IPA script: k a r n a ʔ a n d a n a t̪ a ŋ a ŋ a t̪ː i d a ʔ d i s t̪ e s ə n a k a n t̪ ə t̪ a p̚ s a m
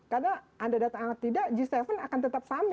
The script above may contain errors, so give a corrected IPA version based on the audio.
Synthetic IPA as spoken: k a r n a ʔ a n d a d a t̪ a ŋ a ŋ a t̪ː i d a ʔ d͡ʒ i s t̪ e f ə n a k a n t̪ ə t̪ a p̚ s a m